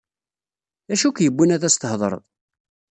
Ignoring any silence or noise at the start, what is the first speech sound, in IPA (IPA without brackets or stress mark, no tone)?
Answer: æ